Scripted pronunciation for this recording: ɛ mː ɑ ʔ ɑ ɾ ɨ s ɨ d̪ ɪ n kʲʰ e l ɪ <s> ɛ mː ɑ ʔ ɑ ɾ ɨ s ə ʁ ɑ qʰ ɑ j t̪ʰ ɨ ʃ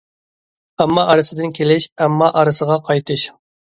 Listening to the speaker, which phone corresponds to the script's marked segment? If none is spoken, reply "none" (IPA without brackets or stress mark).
ʃ